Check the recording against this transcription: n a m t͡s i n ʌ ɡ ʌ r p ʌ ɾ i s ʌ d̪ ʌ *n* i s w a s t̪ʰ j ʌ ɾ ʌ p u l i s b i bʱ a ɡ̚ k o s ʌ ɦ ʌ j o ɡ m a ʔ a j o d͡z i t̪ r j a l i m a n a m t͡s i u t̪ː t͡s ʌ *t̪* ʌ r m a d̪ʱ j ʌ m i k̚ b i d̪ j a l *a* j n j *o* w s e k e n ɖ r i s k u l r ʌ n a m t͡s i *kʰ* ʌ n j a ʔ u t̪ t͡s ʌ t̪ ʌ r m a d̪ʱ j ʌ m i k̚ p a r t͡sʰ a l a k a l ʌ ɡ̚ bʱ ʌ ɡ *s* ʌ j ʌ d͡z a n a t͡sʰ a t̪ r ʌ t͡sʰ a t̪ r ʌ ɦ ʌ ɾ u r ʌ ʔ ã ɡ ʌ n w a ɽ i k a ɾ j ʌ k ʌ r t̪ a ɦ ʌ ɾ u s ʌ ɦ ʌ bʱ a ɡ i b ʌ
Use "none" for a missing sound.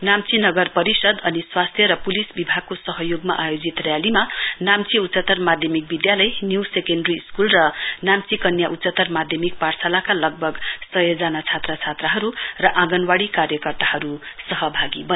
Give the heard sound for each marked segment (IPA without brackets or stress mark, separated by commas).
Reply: n, t̪, ʌ, u, k, s